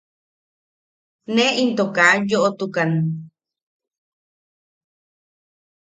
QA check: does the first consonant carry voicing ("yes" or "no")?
yes